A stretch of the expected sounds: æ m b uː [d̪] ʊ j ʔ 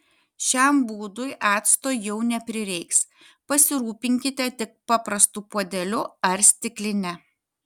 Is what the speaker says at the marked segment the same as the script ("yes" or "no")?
yes